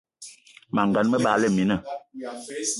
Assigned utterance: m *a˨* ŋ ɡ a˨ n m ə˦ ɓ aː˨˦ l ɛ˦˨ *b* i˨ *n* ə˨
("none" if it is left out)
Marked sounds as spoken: a˨, m, n

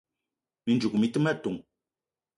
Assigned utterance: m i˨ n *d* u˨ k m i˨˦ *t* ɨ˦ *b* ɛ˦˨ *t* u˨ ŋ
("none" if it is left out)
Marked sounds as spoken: d͡ʒ, t, m, t

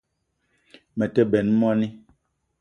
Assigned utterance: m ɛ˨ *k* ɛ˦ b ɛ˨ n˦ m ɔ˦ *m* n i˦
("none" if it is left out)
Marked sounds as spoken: t, none

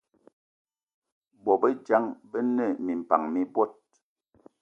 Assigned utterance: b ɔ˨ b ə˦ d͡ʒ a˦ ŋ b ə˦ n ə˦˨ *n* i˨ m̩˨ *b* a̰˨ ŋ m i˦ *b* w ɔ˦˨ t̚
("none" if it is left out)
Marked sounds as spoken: m, p, b

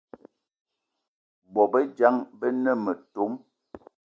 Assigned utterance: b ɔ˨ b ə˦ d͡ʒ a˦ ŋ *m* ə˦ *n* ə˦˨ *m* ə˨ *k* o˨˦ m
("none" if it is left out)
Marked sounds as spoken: b, n, m, t

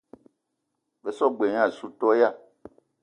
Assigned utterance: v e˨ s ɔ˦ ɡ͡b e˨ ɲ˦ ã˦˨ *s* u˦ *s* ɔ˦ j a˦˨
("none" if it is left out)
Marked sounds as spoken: s, t

